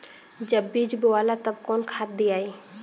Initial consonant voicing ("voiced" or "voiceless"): voiced